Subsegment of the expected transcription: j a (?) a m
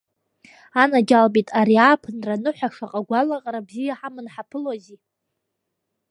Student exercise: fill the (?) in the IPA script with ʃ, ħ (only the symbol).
ħ